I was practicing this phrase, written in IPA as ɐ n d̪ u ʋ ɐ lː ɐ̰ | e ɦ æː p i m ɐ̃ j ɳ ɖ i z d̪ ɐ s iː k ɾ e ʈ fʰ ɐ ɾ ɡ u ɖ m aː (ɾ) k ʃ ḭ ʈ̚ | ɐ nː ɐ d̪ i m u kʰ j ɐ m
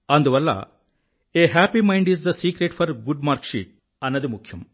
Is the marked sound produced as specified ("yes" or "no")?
yes